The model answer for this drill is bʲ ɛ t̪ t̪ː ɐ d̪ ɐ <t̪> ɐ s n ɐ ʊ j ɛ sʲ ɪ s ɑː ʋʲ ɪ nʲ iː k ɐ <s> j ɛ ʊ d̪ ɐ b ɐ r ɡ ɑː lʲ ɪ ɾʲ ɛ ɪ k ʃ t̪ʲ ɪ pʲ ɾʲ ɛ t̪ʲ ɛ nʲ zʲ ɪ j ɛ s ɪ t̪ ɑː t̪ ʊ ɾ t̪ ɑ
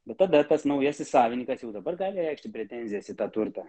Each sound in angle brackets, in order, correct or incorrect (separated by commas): correct, correct